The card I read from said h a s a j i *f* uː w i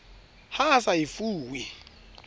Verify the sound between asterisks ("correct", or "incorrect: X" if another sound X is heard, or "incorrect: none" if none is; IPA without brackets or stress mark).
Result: correct